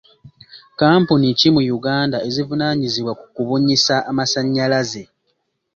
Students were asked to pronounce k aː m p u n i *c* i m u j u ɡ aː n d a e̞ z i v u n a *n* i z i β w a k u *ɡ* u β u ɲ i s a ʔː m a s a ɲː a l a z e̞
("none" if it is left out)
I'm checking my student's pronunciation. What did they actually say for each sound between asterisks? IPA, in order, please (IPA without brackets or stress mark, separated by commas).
c, ɲ, k